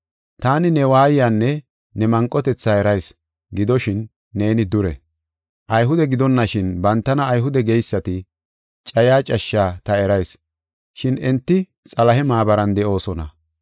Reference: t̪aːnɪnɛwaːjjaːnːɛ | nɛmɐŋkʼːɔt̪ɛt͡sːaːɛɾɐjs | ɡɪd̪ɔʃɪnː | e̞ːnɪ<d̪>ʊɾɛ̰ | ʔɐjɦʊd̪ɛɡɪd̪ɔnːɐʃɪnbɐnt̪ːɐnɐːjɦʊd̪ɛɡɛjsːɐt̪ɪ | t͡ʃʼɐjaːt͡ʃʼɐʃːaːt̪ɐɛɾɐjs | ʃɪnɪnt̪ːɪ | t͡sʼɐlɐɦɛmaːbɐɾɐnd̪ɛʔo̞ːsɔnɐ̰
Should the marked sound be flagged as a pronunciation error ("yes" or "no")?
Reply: no